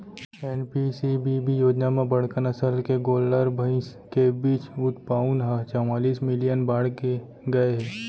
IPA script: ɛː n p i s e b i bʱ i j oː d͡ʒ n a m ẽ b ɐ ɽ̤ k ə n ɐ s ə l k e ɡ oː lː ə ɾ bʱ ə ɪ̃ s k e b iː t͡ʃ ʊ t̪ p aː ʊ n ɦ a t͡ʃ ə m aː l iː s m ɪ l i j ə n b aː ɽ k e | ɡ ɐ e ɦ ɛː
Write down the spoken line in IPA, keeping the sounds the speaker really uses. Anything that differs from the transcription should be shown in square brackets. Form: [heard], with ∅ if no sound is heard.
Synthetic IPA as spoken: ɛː n p i s [i] b i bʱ i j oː d͡ʒ n a m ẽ b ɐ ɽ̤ k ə n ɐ s ə l k e ɡ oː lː ə ɾ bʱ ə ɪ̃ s k e b iː t͡ʃ ʊ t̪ p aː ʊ n ɦ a t͡ʃ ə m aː l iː s m ɪ l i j ə n b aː ɽ k e | ɡ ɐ e ɦ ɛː